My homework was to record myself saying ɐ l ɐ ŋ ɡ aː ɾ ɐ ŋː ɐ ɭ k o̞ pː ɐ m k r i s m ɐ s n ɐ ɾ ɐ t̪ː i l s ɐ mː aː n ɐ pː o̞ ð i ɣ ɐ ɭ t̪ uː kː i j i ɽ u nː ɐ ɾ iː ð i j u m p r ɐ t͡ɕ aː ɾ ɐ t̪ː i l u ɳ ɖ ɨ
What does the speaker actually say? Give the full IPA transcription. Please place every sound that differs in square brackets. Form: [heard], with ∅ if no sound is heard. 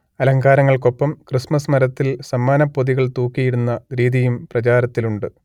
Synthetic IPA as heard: ɐ l ɐ ŋ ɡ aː ɾ ɐ ŋː ɐ ɭ k o̞ pː ɐ m k r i s m ɐ s [m] ɐ ɾ ɐ t̪ː i l s ɐ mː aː n ɐ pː o̞ ð i ɣ ɐ ɭ t̪ uː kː i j i ɽ u nː ɐ ɾ iː ð i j u m p r ɐ t͡ɕ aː ɾ ɐ t̪ː i l u ɳ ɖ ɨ